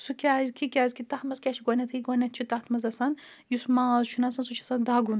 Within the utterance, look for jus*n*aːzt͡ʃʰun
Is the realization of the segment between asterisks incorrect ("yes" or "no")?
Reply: yes